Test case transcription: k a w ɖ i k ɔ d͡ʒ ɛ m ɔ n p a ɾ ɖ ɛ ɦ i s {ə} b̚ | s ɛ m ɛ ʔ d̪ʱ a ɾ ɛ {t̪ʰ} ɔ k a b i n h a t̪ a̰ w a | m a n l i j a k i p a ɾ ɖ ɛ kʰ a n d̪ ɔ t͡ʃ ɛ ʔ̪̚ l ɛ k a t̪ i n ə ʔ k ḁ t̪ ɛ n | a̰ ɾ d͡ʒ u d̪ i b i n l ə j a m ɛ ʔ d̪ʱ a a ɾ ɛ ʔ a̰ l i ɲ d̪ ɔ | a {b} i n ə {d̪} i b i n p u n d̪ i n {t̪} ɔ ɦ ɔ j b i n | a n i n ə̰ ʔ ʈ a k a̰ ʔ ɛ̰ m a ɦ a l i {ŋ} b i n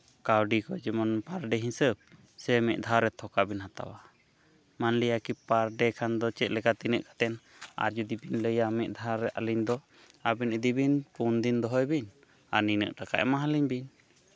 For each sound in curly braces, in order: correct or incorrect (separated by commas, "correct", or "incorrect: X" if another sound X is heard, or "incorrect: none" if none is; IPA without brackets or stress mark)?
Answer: correct, correct, correct, correct, incorrect: d̪, incorrect: ɲ